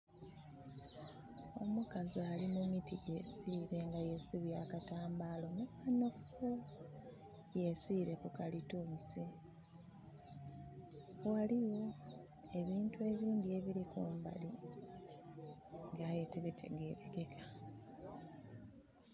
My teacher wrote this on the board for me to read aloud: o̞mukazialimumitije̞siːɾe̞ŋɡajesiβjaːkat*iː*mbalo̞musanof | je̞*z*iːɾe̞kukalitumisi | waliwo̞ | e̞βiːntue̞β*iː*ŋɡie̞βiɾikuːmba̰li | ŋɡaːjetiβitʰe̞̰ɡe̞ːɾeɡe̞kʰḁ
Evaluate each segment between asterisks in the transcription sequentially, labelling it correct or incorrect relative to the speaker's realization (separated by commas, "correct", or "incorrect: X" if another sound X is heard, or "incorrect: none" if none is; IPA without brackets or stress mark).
incorrect: aː, incorrect: s, correct